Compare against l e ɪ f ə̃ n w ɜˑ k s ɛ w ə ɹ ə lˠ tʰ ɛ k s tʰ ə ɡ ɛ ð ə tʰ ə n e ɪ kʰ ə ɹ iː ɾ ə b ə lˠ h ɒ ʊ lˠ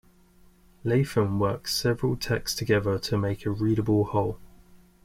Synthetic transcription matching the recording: l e ɪ f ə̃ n w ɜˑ k s ɛ v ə ɹ ə lˠ tʰ ɛ k s tʰ ə ɡ ɛ ð ə tʰ ə m e ɪ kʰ ə ɹ iː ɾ ə b ə lˠ h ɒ ʊ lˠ